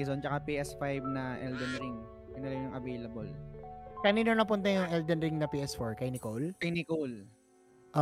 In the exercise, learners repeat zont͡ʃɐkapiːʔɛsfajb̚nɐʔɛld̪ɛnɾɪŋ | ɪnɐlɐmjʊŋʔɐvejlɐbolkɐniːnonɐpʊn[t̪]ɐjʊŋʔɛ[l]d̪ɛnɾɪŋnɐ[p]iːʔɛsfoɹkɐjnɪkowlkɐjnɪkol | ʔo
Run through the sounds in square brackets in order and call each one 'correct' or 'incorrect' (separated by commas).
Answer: correct, correct, correct